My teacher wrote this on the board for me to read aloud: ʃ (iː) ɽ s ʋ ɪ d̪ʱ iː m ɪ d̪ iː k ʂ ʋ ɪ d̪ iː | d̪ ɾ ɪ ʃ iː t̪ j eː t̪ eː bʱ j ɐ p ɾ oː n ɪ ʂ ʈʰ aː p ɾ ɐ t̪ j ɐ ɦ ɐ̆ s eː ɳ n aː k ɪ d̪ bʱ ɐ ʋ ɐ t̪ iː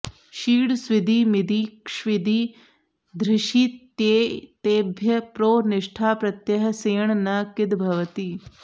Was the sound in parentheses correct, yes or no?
yes